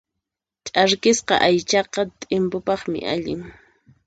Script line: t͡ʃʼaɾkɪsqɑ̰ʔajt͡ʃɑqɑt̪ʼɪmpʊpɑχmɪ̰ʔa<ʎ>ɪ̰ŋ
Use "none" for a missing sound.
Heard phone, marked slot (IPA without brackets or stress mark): ʎ